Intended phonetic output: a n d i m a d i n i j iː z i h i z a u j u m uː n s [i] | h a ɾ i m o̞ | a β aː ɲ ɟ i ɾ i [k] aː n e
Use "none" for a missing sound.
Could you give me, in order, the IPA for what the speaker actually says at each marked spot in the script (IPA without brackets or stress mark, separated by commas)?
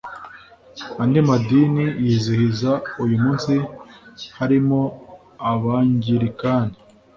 i, k